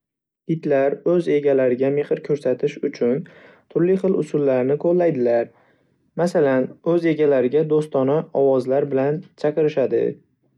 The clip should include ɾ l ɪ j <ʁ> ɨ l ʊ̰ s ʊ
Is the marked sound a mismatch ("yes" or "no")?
yes